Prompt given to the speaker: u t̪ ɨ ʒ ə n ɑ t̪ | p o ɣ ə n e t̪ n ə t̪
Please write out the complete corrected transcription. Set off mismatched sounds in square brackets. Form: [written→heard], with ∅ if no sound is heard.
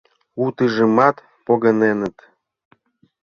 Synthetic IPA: u t̪ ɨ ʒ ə [n→m] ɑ t̪ | p o ɣ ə n e [t̪→∅] n ə t̪